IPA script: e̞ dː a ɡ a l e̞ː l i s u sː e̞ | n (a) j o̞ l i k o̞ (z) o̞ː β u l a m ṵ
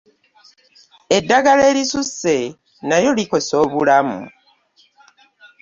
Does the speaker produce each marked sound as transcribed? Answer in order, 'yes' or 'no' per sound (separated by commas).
yes, no